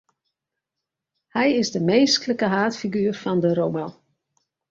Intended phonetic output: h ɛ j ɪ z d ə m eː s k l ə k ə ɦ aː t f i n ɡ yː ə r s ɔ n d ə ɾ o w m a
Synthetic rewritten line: h ɛ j ɪ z d ə m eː s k l ə k ə ɦ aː t f i ɡ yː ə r f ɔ n d ə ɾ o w m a